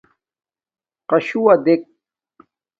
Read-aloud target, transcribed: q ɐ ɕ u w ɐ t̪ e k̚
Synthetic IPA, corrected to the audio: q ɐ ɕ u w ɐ d̪ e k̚

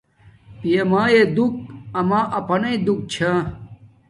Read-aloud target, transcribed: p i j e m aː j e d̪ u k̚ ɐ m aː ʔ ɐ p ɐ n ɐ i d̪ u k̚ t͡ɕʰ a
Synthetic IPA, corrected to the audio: p i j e m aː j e d̪ u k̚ ɐ m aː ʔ ɐ p ɐ n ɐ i d̪ u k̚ t͡ɕʰ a

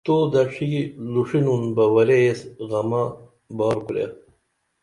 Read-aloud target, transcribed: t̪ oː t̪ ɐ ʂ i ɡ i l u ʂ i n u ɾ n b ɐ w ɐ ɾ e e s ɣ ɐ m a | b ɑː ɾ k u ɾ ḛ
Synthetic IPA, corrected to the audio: t̪ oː d̪ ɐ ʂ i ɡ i l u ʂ i n u n b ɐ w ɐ ɾ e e s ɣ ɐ m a | b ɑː ɾ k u ɾ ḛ

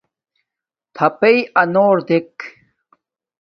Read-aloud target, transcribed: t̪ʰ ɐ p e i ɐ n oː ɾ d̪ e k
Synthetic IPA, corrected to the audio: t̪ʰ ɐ p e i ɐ n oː ɾ d̪ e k

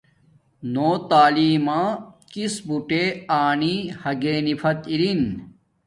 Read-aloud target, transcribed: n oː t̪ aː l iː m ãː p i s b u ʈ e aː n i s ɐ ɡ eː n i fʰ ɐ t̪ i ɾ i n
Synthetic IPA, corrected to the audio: n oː t̪ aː l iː m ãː k i s b u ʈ e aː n i h ɐ ɡ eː n i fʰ ɐ t̪ i ɾ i n

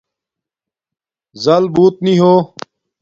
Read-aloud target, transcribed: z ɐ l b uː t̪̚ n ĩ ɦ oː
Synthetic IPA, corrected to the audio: z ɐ l b uː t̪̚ n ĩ ɦ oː

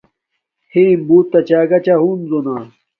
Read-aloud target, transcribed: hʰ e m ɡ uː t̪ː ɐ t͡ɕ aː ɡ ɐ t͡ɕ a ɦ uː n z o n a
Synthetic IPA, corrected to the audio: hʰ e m b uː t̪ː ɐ t͡ɕ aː ɡ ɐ t͡ɕ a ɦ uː n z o n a

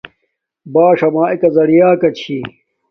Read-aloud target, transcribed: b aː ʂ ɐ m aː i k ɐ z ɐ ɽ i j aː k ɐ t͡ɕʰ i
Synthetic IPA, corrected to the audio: b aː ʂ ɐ m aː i k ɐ z ɐ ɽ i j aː k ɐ t͡ɕʰ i

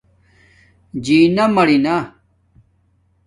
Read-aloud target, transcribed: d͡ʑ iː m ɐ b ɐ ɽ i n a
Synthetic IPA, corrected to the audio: d͡ʑ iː n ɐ m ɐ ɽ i n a

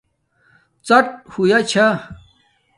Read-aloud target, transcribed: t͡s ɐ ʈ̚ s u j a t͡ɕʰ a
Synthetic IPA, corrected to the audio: t͡s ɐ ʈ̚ h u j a t͡ɕʰ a

